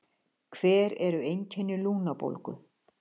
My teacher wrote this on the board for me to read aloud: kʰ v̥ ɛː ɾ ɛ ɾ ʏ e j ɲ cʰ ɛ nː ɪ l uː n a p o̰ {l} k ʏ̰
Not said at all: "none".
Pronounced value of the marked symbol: l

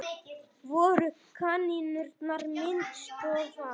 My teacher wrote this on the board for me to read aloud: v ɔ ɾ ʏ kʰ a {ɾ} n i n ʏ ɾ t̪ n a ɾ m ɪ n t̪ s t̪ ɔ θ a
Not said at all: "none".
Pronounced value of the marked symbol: none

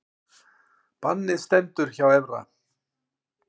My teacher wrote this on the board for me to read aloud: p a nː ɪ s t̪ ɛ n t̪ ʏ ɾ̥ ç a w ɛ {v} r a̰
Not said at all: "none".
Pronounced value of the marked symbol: v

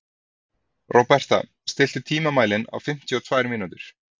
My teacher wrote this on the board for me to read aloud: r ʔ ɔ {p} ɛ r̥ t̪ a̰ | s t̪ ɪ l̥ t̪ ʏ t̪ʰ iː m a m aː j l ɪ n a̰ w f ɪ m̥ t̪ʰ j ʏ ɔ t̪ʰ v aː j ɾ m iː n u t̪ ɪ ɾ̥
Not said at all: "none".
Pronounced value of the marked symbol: p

